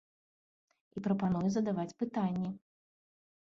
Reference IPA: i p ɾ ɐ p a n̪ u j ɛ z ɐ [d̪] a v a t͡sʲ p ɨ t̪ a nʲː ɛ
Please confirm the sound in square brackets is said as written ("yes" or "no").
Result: yes